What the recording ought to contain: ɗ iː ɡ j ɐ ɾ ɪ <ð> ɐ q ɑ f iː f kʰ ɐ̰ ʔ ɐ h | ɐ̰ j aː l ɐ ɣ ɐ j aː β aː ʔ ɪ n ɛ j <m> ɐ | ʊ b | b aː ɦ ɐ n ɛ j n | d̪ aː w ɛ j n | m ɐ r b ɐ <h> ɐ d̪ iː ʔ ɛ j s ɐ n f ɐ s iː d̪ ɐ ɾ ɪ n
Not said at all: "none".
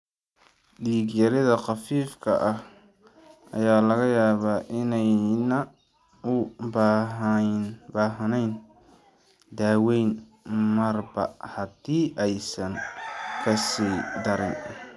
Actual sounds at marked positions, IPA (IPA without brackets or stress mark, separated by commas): ð, n, h